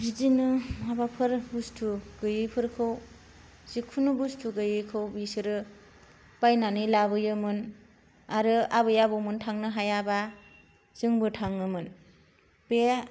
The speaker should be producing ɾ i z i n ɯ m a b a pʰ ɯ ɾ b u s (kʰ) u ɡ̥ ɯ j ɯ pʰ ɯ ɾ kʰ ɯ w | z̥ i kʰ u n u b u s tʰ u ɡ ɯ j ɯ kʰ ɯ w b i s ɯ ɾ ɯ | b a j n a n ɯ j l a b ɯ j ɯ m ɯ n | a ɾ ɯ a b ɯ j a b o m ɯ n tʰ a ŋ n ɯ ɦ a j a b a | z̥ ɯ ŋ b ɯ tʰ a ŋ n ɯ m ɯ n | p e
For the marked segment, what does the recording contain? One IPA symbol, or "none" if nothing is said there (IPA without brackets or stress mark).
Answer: tʰ